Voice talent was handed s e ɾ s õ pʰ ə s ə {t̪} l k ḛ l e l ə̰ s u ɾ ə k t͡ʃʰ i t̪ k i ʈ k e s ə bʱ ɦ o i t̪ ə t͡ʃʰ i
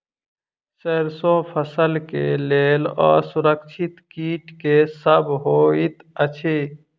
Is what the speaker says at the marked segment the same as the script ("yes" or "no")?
no